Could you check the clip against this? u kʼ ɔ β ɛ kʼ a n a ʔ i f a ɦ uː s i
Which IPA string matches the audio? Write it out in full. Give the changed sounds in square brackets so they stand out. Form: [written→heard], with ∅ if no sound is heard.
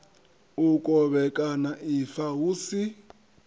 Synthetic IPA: u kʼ ɔ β ɛ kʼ a n a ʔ i f a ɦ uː s i